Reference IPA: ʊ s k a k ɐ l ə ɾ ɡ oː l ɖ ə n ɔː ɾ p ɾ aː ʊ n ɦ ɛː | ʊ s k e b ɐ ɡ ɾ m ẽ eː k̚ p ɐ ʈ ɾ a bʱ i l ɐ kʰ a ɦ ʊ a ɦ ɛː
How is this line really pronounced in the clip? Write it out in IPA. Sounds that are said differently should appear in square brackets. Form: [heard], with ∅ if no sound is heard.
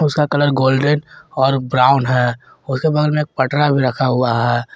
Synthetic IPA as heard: ʊ s k a k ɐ l ə ɾ ɡ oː l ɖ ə n ɔː ɾ [b] ɾ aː ʊ n ɦ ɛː | ʊ s k e b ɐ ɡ [l] m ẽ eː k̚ p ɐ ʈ ɾ a bʱ i [ɾ] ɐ kʰ a ɦ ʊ a ɦ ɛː